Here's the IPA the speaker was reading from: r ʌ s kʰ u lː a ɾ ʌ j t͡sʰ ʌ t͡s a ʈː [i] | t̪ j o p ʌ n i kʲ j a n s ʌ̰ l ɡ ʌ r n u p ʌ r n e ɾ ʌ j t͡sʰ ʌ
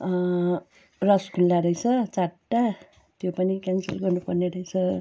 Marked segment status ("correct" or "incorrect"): incorrect